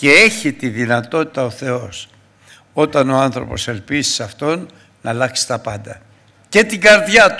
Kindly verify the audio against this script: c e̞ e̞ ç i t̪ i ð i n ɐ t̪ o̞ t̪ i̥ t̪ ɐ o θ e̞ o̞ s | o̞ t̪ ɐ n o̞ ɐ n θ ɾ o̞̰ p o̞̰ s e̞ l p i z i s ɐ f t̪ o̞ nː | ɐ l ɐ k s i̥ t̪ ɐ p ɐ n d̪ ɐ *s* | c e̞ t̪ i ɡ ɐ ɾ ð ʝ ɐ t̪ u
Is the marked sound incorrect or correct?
incorrect